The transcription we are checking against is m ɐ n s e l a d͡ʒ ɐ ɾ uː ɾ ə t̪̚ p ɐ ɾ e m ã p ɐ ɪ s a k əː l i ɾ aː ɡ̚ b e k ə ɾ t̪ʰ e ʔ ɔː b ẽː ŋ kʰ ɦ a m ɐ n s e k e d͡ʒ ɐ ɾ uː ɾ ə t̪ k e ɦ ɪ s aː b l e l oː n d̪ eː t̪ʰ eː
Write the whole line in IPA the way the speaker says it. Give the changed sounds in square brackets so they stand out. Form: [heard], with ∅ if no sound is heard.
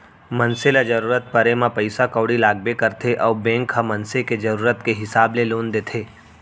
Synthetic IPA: m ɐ n s e l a d͡ʒ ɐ ɾ uː ɾ ə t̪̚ p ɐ ɾ e m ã p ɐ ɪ s a k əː [ɽ] i [l] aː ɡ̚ b e k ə ɾ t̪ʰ e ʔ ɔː b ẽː ŋ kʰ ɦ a m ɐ n s e k e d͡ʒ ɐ ɾ uː ɾ ə t̪ k e ɦ ɪ s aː b l e l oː n d̪ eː t̪ʰ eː